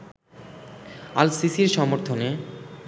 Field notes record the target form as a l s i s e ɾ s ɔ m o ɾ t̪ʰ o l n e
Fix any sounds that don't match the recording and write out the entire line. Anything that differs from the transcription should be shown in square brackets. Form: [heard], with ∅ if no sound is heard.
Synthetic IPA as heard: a l s i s [i] ɾ [ʃ] ɔ m o ɾ t̪ʰ o [∅] n e